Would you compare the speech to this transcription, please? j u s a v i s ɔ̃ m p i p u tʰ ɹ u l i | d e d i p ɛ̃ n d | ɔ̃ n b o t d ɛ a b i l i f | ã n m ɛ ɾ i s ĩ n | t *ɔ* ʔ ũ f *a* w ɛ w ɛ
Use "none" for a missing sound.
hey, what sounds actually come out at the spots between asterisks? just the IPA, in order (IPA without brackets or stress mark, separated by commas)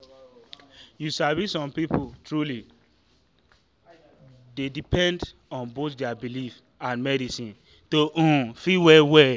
o, i